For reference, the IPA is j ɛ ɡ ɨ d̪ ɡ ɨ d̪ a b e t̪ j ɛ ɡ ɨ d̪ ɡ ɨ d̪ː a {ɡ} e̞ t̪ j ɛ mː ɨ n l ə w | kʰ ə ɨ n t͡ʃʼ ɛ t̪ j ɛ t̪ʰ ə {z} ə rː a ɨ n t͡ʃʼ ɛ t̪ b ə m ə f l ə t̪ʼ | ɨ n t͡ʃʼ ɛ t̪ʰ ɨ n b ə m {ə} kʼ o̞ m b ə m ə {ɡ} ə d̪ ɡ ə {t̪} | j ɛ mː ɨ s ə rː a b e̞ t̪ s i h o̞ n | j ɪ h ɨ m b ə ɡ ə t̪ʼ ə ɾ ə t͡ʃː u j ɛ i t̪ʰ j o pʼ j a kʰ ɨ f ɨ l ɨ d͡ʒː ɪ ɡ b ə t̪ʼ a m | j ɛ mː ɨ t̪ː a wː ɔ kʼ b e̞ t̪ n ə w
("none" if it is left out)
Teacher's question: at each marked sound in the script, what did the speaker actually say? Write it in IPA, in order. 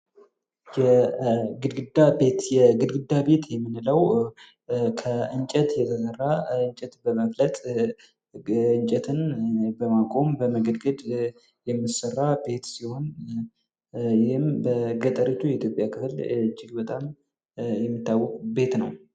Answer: b, s, a, ɡ, d̪

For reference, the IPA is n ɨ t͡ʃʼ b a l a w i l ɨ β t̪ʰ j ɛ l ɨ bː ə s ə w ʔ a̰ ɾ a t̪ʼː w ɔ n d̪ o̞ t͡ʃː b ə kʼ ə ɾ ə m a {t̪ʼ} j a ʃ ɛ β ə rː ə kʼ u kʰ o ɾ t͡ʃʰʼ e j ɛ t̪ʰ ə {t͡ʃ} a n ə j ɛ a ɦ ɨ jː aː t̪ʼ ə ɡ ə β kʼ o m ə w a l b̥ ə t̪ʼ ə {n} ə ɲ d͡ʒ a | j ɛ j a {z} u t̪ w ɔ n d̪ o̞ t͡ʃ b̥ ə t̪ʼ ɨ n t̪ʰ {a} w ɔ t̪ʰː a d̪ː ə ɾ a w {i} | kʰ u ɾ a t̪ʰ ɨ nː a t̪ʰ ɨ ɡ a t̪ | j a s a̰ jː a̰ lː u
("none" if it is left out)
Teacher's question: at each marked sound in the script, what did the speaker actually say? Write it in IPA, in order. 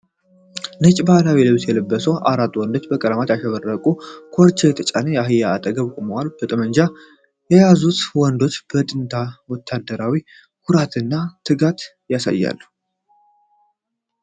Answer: t̪, t͡ʃʼ, m, z, a, i

